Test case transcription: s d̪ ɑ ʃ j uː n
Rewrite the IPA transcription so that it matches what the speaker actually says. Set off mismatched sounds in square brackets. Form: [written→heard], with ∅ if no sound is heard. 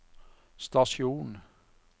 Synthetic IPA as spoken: s [d̪→t̪] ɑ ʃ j uː n